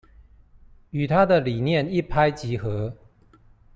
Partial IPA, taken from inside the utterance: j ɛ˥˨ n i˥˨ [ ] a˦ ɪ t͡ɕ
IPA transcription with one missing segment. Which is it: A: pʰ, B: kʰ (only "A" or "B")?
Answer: A